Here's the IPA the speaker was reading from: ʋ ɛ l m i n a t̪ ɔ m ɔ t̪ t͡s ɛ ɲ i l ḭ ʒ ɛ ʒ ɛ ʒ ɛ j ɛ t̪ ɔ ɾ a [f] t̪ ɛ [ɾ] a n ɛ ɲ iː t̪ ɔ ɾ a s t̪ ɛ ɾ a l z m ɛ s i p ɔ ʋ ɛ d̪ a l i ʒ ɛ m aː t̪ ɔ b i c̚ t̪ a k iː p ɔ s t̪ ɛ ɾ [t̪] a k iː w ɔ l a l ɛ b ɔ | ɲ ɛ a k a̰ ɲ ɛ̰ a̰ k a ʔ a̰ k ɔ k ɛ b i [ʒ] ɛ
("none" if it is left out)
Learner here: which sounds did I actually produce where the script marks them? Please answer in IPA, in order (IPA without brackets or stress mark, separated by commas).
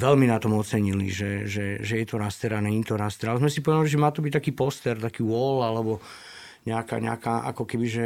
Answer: s, ɾ, t̪, ʒ